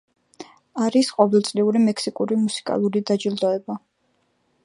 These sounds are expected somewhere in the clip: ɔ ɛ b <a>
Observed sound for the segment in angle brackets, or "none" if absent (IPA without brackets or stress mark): a